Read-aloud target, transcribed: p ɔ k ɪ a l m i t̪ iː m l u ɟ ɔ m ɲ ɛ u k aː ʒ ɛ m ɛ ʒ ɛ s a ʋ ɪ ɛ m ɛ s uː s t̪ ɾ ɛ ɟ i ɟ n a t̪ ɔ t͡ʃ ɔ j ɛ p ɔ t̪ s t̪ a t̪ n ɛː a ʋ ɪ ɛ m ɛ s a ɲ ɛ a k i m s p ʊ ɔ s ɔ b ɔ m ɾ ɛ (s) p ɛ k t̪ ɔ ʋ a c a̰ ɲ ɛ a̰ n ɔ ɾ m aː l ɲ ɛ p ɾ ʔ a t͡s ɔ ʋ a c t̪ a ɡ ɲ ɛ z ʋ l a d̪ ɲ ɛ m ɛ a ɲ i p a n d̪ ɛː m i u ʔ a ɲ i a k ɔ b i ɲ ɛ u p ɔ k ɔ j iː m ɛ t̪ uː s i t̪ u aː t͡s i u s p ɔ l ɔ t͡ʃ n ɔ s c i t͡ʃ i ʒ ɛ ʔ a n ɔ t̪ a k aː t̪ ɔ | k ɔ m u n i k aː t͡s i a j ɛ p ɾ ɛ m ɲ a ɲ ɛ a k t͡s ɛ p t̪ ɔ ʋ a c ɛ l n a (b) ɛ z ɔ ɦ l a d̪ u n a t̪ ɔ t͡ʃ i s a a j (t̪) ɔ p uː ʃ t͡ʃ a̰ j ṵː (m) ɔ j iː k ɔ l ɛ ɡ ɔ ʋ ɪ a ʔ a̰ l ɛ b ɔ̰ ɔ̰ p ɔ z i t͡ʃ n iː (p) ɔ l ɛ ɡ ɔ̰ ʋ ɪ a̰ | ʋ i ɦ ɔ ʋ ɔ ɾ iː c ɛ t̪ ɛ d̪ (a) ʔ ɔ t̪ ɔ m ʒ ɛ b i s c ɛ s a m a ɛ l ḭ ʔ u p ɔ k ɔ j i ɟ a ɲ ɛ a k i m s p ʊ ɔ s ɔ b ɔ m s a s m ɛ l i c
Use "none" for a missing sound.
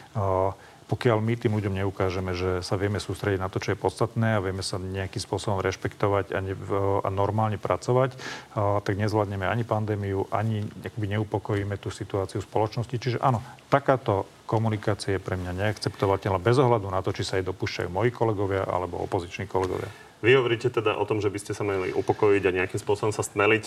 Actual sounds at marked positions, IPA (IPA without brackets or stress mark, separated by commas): ʃ, b, d̪, m, k, a